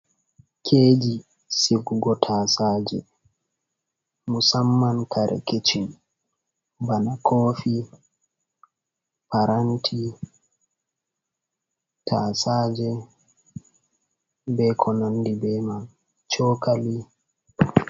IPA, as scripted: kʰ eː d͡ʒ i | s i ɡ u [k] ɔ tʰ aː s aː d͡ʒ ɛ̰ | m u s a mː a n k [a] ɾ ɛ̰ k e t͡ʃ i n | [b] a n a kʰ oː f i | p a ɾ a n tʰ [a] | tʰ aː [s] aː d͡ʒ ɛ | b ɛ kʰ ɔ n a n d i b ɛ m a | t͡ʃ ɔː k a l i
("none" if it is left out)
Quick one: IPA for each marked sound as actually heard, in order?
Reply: ɡ, a, b, i, s

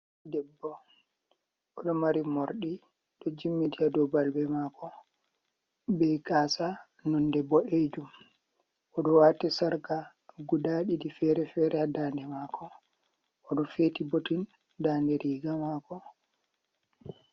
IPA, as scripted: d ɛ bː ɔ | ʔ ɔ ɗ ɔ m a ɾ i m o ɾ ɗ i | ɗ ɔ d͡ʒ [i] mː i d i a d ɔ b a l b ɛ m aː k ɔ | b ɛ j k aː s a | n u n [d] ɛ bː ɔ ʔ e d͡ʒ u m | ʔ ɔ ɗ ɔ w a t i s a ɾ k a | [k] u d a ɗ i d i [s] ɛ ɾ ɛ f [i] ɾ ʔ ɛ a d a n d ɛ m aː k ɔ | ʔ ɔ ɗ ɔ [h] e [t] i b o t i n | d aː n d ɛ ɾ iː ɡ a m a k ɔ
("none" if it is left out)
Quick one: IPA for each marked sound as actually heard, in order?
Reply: i, d, ɡ, f, ɛ, f, t

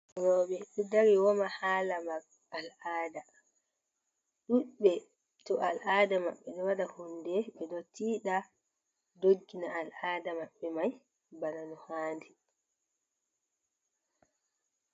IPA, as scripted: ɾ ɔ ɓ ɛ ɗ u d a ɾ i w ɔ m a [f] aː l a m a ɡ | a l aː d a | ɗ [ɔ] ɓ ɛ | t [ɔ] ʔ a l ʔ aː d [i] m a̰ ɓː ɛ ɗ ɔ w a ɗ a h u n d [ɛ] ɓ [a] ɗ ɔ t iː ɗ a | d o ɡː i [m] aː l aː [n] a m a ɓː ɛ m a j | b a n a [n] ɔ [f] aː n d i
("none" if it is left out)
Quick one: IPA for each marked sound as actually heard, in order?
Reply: h, u, ɔ, a, ɛ, ɛ, n, d, n, h

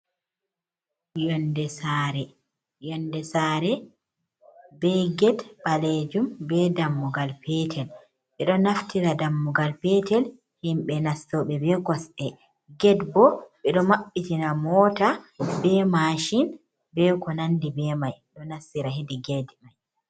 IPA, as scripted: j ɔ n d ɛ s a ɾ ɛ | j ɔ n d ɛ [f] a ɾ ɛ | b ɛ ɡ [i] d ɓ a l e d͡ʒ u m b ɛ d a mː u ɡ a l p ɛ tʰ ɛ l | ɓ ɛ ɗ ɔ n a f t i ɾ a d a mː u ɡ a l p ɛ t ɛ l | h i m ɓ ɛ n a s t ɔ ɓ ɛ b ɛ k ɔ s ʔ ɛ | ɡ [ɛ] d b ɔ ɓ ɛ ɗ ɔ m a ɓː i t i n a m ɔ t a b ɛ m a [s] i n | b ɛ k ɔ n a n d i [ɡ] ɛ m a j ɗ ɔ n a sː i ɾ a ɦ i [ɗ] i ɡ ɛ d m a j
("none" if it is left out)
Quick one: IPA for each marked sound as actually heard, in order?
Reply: s, ɛ, ɛ, ʃ, b, d

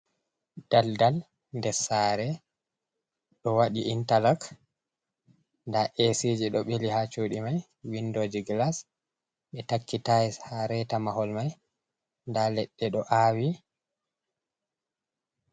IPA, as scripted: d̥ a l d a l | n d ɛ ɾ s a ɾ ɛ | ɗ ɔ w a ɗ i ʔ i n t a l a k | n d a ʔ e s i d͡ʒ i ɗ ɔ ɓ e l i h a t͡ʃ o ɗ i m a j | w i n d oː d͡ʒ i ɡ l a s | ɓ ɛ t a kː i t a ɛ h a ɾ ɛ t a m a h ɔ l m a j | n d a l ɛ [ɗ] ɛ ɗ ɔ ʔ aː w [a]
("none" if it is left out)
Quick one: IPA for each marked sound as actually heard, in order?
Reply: ɗː, i

